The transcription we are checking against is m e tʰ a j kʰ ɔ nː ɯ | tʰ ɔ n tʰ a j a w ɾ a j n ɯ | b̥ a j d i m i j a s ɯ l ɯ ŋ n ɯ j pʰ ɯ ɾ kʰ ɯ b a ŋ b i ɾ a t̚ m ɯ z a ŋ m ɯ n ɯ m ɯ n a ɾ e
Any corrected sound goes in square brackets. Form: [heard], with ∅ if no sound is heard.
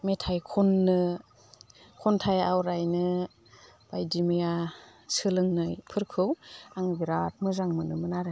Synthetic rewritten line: m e tʰ a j kʰ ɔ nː ɯ | [kʰ] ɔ n tʰ a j a w ɾ a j n ɯ | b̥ a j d i m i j a s ɯ l ɯ ŋ n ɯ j pʰ ɯ ɾ kʰ ɯ [w] a ŋ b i ɾ a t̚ m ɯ z a ŋ m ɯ n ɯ m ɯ n a ɾ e